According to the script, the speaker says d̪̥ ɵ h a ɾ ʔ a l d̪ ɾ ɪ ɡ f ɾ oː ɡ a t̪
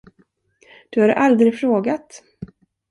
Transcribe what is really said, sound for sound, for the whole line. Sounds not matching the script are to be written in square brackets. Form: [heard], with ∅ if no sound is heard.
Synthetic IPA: d̪̥ ɵ h a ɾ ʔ a l d̪ ɾ ɪ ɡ f ɾ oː ɡ a t̪